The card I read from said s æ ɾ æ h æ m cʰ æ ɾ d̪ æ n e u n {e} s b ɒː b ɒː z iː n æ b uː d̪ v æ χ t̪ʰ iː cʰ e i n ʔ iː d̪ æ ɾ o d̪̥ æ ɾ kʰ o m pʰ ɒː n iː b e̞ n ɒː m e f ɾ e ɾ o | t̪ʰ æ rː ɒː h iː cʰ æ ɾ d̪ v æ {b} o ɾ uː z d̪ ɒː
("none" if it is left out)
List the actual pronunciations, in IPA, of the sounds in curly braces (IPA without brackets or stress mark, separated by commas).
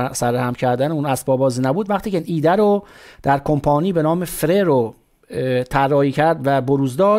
æ, b